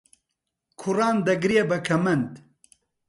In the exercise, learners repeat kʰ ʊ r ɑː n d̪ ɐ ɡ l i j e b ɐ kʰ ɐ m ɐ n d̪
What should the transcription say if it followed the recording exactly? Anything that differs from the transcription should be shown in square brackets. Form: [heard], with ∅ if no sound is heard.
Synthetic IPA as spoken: kʰ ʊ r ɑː n d̪ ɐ ɡ [ɾ] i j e b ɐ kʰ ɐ m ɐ n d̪